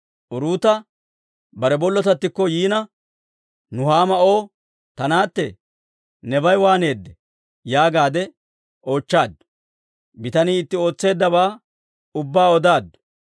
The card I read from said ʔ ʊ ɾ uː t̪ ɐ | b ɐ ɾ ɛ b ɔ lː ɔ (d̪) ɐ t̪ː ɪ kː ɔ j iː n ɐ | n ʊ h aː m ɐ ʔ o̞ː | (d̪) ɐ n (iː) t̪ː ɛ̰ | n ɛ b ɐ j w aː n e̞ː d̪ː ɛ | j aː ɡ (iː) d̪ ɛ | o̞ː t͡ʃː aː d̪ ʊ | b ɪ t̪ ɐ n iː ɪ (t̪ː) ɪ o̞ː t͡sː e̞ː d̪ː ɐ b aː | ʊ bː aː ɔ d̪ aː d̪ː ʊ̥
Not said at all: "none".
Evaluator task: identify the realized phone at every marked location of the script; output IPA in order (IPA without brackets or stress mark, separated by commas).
t̪, t̪, aː, aː, t̪ː